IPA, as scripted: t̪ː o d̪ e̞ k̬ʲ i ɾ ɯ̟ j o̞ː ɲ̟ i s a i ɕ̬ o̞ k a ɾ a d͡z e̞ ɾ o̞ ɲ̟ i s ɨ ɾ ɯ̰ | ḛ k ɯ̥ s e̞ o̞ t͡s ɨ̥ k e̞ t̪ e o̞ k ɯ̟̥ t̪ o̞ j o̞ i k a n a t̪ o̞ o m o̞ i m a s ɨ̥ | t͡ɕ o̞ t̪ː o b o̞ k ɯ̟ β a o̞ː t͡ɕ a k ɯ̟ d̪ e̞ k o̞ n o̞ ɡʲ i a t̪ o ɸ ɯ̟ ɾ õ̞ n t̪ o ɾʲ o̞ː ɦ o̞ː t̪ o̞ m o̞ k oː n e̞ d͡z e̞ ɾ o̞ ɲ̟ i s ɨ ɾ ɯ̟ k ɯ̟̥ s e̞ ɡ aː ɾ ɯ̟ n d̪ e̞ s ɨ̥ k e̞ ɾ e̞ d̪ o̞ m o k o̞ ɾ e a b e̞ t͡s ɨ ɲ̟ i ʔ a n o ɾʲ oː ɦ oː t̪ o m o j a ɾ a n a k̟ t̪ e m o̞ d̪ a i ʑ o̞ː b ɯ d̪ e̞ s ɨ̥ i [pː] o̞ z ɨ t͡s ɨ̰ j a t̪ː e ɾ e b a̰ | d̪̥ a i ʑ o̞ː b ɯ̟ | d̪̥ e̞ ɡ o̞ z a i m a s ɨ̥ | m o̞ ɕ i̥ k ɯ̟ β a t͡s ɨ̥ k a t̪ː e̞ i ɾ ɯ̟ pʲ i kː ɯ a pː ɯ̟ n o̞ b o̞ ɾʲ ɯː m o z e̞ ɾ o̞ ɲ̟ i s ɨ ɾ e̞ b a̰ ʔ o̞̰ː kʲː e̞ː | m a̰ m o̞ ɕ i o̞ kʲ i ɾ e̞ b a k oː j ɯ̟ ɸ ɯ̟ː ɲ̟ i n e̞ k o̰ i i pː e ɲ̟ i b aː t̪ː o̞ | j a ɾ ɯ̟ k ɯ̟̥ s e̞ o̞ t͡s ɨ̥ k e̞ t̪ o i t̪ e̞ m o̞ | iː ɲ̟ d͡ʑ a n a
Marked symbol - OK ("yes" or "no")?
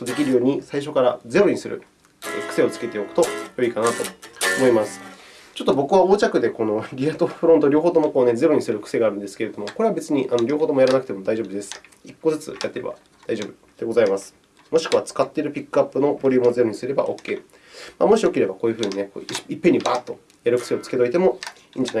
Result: no